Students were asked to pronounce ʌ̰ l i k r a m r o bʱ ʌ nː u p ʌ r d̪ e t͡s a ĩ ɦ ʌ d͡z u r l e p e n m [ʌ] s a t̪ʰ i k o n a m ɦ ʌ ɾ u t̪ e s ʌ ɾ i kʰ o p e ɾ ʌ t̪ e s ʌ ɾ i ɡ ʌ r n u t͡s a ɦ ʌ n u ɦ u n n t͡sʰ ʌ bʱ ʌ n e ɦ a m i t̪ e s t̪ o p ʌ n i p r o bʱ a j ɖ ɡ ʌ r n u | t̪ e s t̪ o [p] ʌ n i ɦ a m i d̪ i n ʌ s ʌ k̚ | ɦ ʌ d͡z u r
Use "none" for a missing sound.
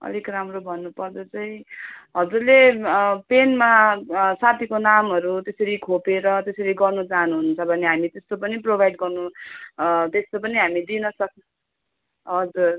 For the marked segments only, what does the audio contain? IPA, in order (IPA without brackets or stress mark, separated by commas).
a, p